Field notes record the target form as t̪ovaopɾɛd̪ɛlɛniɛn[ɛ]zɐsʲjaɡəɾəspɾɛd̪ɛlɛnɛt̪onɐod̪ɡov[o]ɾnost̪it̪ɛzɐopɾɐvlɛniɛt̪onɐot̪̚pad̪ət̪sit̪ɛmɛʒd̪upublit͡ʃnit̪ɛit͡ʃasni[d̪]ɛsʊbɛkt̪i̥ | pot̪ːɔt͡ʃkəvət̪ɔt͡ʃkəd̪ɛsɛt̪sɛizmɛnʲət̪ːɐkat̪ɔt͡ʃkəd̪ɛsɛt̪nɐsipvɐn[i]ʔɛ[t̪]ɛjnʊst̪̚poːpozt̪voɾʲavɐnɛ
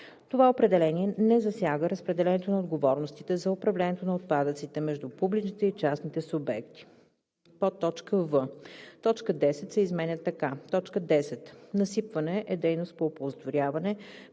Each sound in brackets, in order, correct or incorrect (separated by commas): correct, incorrect, incorrect, incorrect, incorrect